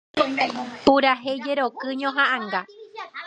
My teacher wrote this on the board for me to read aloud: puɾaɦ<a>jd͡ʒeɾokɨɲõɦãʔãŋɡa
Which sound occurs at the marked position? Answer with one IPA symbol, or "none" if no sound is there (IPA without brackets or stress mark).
e